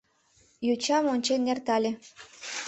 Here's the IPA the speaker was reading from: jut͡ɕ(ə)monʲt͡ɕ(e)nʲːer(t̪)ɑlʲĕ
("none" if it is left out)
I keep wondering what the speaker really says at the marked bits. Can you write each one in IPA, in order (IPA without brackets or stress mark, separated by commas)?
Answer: ɑ, e, t̪